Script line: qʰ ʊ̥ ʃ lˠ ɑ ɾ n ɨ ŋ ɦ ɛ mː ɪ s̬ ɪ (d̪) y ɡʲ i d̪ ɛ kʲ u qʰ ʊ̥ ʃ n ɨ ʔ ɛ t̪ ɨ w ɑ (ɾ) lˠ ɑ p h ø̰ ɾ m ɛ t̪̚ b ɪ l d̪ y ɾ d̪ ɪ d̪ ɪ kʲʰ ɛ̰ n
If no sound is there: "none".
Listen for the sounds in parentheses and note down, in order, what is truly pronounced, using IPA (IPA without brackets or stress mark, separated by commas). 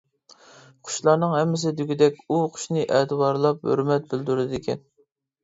d̪, ɾ